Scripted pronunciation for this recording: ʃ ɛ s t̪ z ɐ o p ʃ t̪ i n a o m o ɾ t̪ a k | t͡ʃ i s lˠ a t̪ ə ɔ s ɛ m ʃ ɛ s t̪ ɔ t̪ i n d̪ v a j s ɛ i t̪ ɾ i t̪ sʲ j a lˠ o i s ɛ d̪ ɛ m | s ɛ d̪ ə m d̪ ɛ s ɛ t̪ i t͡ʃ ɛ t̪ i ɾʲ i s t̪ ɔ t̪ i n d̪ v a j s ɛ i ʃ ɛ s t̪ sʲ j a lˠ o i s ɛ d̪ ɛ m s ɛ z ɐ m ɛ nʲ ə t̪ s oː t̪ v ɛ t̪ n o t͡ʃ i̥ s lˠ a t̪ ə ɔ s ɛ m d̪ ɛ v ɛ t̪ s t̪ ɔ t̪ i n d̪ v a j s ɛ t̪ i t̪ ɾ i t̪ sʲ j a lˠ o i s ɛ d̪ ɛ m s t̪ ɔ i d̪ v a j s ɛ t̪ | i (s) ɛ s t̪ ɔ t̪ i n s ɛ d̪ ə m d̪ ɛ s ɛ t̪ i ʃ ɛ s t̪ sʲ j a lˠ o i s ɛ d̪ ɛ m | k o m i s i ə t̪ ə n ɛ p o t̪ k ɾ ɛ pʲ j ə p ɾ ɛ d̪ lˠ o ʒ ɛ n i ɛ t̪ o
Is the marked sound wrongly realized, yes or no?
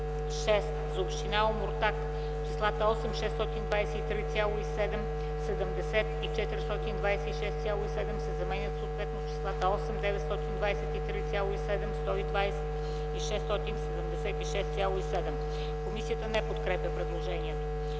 yes